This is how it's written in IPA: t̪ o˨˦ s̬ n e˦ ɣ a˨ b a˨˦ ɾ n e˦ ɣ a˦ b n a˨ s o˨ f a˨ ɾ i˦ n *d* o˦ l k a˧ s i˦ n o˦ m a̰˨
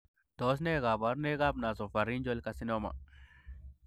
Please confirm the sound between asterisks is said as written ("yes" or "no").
no